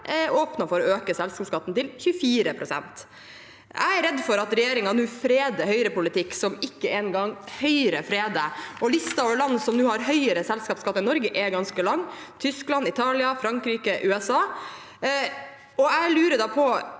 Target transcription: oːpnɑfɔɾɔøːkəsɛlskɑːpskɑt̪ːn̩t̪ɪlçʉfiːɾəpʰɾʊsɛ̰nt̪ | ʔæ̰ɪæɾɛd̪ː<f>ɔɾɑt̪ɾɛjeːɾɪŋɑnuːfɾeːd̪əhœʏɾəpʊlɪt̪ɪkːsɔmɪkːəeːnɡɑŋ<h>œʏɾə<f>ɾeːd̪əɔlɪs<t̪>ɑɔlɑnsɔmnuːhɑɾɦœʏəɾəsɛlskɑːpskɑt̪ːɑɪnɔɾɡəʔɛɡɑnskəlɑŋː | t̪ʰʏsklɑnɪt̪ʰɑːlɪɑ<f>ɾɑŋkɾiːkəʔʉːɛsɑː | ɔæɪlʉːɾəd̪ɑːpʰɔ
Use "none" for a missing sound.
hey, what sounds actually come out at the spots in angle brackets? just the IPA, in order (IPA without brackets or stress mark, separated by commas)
f, h, f, t̪, f